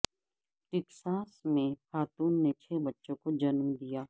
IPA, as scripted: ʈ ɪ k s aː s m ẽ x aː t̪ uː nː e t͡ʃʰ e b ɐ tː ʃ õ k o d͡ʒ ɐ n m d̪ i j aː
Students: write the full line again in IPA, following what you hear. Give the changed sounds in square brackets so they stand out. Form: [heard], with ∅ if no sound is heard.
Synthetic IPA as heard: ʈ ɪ k s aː s m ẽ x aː t̪ uː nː e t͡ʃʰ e b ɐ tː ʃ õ k o d͡ʒ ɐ n m d̪ i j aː